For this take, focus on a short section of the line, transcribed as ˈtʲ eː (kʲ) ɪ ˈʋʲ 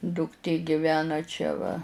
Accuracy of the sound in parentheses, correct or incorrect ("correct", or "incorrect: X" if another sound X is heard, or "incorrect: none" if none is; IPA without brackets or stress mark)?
incorrect: ɡʲ